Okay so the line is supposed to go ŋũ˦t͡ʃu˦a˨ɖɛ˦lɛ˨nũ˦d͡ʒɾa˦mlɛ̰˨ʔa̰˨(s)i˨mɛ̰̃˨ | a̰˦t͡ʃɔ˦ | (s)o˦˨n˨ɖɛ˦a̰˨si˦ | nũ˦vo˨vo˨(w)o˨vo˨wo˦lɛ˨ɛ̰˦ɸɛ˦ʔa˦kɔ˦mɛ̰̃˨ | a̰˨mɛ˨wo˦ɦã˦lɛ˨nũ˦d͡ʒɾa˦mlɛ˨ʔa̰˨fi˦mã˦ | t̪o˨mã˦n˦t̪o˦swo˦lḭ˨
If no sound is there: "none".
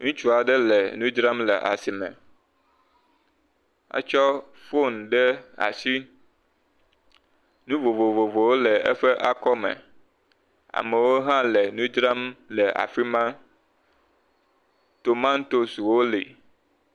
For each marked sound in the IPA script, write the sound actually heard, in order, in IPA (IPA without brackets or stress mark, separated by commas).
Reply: s, f, v